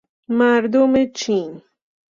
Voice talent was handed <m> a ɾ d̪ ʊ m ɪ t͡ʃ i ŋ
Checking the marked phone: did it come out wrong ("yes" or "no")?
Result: no